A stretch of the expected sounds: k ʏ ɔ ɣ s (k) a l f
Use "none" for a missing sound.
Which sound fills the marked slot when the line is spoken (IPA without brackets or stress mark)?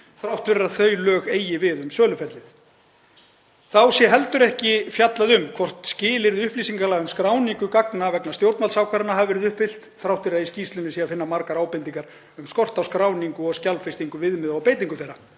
c